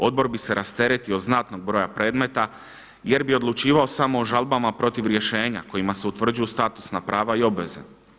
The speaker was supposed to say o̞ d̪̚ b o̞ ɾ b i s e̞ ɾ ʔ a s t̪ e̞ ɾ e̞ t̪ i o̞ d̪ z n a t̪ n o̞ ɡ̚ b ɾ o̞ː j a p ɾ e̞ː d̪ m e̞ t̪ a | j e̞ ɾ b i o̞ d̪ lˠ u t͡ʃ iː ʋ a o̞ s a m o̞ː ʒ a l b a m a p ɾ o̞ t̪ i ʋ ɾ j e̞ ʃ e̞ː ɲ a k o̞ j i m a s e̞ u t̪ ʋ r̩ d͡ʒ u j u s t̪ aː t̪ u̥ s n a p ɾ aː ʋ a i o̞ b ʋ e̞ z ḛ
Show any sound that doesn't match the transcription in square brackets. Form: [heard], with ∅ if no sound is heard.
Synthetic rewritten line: o̞ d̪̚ b o̞ ɾ b i s e̞ ɾ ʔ a s t̪ e̞ ɾ e̞ t̪ i o̞ d̪ z n a t̪ n o̞ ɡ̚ b ɾ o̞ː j a p ɾ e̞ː d̪ m e̞ t̪ a | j e̞ ɾ b i o̞ d̪ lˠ u t͡ʃ iː ʋ a o̞ s a m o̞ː ʒ a l b a m a p ɾ o̞ t̪ i ʋ ɾ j e̞ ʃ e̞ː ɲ a k o̞ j i m a s e̞ u t̪ ʋ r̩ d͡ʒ u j u s t̪ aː t̪ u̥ s n a p ɾ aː ʋ a i o̞ b ʋ e̞ z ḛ